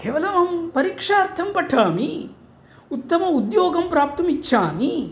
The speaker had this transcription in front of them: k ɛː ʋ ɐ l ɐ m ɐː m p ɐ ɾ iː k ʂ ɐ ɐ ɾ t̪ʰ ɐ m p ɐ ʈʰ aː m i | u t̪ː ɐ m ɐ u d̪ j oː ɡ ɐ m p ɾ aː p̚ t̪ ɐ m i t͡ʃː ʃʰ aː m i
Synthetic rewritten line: k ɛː ʋ ɐ l ɐ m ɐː m p ɐ ɾ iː k ʂ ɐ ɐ ɾ t̪ʰ ɐ m p ɐ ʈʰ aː m i | u t̪ː ɐ m ɐ u d̪ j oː ɡ ɐ m p ɾ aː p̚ t̪ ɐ m i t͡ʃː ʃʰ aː m i